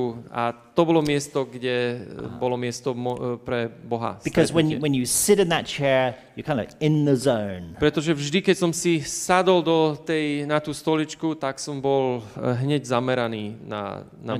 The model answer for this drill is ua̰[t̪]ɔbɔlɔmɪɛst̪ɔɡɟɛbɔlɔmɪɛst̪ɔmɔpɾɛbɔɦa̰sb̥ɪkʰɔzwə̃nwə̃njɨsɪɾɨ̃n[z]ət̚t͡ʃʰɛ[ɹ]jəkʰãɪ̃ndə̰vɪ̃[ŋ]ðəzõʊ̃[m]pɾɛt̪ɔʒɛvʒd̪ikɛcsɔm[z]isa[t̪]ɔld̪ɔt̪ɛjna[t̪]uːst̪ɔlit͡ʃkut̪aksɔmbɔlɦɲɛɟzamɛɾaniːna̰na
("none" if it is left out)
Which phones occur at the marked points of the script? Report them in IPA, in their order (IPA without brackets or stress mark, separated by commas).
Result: t̪, ð, ɹ, n, n, s, d̪, t̪